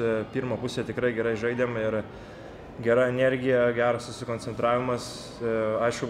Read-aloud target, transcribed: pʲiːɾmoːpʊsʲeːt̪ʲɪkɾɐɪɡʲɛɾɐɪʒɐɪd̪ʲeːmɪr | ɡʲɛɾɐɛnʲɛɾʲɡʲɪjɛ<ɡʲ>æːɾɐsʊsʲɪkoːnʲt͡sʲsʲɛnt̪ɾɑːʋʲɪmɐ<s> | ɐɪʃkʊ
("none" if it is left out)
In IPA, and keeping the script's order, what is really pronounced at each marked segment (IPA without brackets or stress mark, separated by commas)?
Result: ɡʲ, s